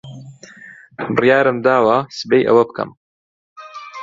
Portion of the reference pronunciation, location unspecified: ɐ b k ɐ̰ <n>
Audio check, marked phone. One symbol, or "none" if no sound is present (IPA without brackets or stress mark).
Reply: m